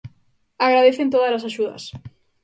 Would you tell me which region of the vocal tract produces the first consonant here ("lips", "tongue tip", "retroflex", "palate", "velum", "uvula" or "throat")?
velum